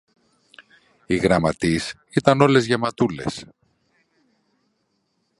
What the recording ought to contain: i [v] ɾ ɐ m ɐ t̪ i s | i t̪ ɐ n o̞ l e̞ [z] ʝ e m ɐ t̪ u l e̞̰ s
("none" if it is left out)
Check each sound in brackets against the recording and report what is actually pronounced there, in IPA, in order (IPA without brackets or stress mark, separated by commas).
ɣ, z